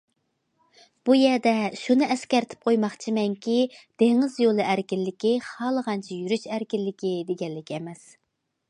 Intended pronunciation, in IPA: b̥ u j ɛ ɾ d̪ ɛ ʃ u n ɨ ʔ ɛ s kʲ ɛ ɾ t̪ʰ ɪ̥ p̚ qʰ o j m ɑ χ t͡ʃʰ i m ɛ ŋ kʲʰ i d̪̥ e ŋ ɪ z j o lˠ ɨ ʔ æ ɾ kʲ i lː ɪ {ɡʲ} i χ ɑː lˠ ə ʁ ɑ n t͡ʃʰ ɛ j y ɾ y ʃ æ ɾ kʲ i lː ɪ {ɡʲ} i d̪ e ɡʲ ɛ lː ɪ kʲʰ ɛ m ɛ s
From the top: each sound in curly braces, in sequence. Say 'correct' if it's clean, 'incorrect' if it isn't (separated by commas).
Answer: incorrect, incorrect